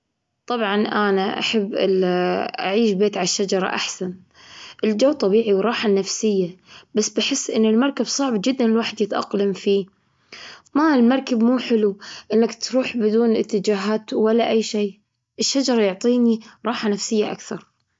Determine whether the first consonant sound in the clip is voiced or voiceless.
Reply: voiceless